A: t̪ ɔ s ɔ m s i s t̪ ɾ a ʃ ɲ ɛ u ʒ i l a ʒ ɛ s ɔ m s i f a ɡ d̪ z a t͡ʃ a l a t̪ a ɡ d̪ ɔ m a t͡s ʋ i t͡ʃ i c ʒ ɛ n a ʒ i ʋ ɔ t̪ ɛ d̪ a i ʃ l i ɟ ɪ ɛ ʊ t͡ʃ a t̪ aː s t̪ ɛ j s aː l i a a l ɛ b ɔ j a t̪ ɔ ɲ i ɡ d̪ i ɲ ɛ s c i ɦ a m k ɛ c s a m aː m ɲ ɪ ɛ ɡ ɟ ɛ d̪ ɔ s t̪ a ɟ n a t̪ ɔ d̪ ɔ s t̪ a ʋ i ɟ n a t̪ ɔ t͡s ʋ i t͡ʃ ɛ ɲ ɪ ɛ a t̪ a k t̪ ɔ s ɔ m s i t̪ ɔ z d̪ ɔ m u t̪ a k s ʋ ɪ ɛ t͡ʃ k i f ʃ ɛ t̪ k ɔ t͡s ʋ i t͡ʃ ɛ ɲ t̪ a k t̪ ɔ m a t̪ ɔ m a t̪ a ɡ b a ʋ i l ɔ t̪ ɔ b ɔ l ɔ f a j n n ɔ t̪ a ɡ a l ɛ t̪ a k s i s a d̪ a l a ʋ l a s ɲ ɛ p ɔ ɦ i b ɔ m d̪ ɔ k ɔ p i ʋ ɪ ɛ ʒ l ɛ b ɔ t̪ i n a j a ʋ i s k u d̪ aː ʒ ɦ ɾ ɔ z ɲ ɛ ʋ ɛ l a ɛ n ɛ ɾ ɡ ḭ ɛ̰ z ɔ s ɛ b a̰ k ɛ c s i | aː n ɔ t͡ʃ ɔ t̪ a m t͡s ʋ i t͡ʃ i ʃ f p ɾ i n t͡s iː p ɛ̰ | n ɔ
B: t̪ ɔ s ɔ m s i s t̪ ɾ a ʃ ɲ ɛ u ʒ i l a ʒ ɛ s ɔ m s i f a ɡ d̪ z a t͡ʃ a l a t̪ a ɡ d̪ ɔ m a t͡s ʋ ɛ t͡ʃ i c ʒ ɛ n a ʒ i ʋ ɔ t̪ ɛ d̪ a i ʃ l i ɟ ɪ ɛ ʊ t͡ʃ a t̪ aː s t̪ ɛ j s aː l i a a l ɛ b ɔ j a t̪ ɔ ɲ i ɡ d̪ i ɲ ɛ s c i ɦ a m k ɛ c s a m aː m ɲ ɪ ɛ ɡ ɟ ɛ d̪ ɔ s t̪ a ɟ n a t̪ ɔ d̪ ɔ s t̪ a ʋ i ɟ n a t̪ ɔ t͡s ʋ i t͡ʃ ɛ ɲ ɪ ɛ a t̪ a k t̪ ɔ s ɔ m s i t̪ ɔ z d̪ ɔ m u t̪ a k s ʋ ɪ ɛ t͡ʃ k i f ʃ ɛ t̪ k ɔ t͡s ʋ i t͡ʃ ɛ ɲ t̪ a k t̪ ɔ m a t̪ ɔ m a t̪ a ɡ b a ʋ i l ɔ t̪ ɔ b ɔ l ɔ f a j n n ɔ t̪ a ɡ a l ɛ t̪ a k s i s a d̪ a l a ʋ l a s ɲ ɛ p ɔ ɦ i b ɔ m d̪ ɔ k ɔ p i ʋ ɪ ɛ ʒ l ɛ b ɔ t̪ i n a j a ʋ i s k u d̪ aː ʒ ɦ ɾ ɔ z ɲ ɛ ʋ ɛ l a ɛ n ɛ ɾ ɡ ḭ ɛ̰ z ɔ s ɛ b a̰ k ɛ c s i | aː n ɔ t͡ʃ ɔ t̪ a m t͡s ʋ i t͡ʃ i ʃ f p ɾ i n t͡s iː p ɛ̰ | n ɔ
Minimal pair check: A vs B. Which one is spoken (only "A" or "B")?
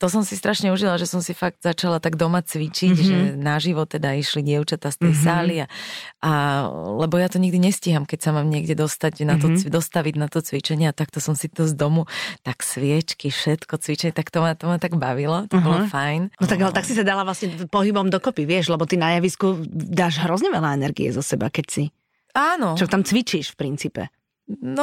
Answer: A